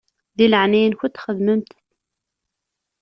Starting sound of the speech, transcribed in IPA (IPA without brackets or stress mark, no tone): ð